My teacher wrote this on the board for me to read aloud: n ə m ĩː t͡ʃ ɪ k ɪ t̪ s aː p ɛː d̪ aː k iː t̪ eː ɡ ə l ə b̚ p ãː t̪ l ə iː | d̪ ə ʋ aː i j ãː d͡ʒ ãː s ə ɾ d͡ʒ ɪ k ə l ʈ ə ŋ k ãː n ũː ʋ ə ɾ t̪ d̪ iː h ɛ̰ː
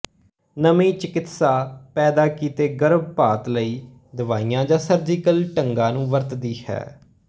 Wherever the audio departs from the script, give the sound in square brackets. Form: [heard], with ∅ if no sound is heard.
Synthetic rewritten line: n ə m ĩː t͡ʃ ɪ k ɪ t̪ s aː p ɛː d̪ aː k iː t̪ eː ɡ ə [ɾ] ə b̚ p [aː] t̪ l ə iː | d̪ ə ʋ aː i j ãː d͡ʒ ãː s ə ɾ d͡ʒ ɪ k ə l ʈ ə ŋ [ɡ] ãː n ũː ʋ ə ɾ t̪ d̪ iː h ɛ̰ː